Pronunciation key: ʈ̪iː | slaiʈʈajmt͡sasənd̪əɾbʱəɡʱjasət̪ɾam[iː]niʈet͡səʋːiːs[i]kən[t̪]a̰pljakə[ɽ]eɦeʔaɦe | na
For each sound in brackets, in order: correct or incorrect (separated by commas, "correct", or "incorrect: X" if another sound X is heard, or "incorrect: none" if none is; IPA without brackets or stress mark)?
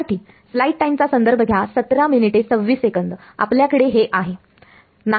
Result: incorrect: i, incorrect: e, incorrect: d̪, correct